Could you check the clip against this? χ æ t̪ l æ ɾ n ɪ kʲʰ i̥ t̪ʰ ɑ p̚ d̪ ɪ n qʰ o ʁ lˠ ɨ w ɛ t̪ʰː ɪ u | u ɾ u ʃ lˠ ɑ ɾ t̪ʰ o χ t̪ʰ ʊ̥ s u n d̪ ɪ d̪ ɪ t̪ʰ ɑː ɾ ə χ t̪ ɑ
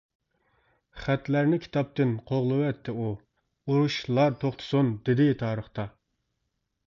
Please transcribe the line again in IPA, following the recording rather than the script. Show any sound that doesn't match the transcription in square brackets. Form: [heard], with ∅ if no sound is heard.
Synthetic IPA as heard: χ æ t̪ l æ ɾ n ɪ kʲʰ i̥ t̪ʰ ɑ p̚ [t̪] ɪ n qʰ o ʁ lˠ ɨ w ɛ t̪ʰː ɪ u | u ɾ u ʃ lˠ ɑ ɾ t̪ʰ o χ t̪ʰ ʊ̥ s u n d̪ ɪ d̪ ɪ t̪ʰ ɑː ɾ ə χ t̪ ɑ